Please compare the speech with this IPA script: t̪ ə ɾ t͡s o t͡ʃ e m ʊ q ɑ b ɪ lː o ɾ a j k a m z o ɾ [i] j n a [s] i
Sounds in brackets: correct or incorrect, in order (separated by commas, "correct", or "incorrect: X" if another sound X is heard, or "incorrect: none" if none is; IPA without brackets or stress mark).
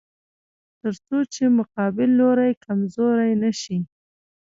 incorrect: a, incorrect: ʃ